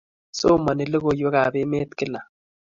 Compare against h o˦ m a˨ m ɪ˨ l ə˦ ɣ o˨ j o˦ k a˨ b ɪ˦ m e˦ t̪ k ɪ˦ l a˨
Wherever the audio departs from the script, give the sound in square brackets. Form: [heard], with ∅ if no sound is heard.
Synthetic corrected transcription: [s] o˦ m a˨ [n] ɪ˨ l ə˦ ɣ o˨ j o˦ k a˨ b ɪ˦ m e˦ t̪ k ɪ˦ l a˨